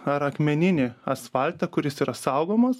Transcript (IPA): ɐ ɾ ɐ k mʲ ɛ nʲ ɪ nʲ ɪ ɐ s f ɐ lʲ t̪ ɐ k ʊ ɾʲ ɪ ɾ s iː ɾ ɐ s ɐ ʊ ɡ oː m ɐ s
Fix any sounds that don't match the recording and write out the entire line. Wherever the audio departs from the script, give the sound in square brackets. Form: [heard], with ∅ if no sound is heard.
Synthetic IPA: ɐ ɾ ɐ k mʲ ɛ nʲ ɪ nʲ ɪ ɐ s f ɐ lʲ t̪ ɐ k ʊ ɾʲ ɪ [∅] s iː ɾ ɐ s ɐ ʊ ɡ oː m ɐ s